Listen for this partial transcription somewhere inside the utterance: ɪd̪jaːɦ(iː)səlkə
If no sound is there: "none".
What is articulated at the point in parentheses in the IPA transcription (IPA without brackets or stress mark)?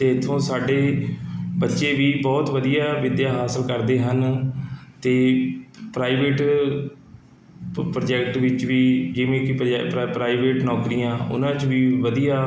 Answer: aː